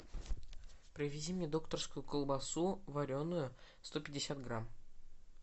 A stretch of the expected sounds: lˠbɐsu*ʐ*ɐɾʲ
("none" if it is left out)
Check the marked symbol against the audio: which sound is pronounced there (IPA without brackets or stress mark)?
v